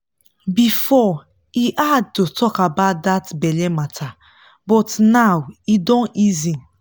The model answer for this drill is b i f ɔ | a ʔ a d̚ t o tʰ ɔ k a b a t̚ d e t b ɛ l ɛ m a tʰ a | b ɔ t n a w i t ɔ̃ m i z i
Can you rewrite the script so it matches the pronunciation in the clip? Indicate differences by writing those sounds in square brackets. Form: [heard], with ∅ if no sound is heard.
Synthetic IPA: b i f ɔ | [i] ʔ a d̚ t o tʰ ɔ k a b a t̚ d [a] t b ɛ l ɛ m a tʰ a | b ɔ t n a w i [d] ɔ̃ [n] i z i

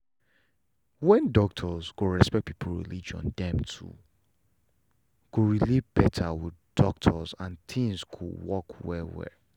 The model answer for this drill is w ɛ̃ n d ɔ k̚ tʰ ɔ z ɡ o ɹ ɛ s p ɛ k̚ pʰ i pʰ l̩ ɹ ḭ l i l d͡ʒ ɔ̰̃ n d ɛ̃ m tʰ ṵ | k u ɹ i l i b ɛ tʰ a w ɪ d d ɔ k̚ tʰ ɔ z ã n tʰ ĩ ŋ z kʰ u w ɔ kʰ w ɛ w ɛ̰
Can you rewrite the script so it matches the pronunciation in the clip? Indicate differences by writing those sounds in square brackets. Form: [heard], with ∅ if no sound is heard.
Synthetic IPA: w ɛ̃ n d ɔ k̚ tʰ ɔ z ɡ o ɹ ɛ s p ɛ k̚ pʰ i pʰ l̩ ɹ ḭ l i [∅] d͡ʒ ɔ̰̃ n d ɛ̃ m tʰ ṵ | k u ɹ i l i b ɛ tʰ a w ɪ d d ɔ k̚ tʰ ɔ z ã n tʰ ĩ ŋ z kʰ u w ɔ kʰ w ɛ w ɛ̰

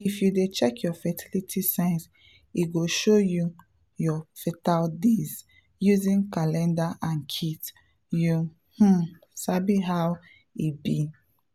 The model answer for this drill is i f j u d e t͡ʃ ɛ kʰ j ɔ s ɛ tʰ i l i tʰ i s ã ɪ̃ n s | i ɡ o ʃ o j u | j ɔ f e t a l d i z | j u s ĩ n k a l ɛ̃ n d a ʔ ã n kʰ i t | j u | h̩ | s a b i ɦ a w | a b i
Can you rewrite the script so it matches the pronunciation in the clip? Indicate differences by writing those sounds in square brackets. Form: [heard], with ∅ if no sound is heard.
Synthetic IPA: i f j u d e t͡ʃ ɛ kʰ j ɔ [f] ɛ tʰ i l i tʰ i s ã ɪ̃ n s | i ɡ o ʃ o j u | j ɔ f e t a l d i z | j u [z] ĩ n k a l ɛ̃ n d a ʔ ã n kʰ i t | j u | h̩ | s a b i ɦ a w | [i] b i

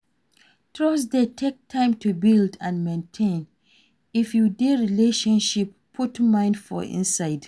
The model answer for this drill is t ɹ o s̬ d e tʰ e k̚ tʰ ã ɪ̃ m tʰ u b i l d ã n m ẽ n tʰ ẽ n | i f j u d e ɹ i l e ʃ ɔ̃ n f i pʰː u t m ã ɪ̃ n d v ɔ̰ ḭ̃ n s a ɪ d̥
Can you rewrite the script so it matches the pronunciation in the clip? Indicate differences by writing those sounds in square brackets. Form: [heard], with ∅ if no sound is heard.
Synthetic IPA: t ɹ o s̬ d e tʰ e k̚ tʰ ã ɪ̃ m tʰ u b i l d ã n m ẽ n tʰ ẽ n | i f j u d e ɹ i l e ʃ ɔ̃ n [ʃ] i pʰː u t m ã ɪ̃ n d [f] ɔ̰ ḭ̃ n s a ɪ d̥

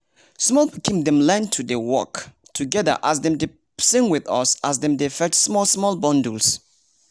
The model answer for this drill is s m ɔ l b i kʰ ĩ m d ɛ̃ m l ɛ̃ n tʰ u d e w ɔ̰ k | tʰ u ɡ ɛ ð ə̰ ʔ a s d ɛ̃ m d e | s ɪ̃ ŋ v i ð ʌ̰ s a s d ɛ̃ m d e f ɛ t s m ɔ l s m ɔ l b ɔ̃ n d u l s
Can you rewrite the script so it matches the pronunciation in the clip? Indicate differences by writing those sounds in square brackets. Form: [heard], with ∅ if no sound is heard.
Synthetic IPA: s m ɔ l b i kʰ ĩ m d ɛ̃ m l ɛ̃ n tʰ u d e w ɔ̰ k | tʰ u ɡ ɛ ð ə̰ ʔ a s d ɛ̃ m d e | s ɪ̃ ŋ [w] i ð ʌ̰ s a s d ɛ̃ m d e f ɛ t s m ɔ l s m ɔ l b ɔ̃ n d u l s

